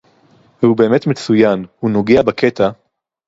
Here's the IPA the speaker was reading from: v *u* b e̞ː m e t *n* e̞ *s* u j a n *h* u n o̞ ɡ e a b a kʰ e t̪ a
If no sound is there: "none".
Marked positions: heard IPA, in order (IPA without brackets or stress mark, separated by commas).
u, m, t͡s, h